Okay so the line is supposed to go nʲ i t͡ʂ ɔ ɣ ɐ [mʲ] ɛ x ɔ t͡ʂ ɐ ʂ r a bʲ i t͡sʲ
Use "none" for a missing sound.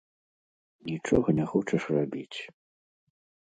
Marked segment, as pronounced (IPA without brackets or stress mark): nʲ